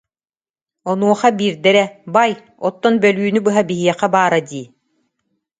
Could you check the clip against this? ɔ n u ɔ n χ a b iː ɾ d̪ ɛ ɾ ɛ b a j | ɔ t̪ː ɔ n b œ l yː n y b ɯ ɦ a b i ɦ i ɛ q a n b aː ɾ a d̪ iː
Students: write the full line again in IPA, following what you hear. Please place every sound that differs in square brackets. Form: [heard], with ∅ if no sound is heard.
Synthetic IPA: ɔ n u ɔ [∅] χ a b iː ɾ d̪ ɛ ɾ ɛ b a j | ɔ t̪ː ɔ n b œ l yː n y b ɯ ɦ a b i ɦ i ɛ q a [∅] b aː ɾ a d̪ iː